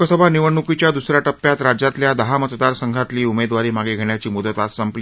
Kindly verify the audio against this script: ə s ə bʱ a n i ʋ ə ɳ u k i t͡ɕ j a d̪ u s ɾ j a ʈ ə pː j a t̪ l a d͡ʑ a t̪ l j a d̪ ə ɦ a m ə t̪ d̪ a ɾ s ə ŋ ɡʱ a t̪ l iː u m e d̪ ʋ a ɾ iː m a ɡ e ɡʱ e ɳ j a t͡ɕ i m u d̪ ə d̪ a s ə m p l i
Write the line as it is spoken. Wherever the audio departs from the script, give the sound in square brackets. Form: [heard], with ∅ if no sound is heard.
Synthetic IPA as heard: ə s ə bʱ a n i ʋ ə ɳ u k i t͡ɕ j a d̪ u s ɾ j a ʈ ə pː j a t̪ [ɾ] a d͡ʑ a t̪ l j a d̪ ə ɦ a m ə t̪ d̪ a ɾ s ə ŋ ɡʱ a t̪ l iː u m e d̪ ʋ a ɾ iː m a ɡ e ɡʱ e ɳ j a t͡ɕ [iː] m u d̪ ə [t̪] a s ə m p l i

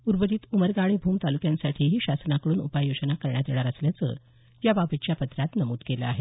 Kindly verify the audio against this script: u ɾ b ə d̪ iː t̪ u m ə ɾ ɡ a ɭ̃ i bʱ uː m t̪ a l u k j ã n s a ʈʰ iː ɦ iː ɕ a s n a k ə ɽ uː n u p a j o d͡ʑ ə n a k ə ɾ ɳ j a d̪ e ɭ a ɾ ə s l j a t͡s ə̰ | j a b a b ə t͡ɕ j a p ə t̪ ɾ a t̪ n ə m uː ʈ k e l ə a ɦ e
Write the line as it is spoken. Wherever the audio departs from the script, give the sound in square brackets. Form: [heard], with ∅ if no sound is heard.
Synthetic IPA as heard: u ɾ b ə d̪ iː t̪ u m ə ɾ ɡ a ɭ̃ i bʱ uː m t̪ a l u k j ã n s a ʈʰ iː ɦ iː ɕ a s n a k ə ɽ uː n u p a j o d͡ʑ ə n a k ə ɾ ɳ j a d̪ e ɭ a ɾ ə s l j a t͡s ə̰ | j a b a b ə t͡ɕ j a p ə t̪ ɾ a t̪ n ə m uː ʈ k e l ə a ɦ e

